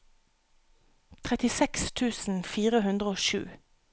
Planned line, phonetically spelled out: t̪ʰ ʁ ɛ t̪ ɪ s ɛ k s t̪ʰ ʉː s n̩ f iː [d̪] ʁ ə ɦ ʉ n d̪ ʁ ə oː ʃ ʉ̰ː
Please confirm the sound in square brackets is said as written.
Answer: no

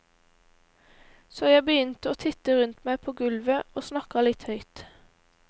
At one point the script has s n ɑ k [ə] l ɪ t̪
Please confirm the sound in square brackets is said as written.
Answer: no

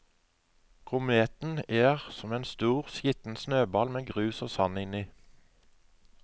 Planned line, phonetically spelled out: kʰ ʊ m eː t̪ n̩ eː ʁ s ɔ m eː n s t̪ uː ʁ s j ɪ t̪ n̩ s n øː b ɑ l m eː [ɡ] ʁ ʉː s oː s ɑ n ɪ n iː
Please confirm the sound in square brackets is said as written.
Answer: yes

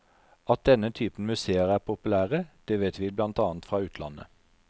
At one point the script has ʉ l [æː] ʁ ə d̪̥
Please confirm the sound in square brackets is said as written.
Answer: yes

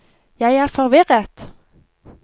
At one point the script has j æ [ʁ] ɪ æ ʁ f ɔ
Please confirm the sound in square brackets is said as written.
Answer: no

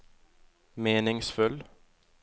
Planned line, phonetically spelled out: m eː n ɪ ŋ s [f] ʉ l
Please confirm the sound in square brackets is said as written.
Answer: yes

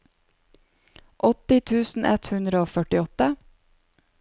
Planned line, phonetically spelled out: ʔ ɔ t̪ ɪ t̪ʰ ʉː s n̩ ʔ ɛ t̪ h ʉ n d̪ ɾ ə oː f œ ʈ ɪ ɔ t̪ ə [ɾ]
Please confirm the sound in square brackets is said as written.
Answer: no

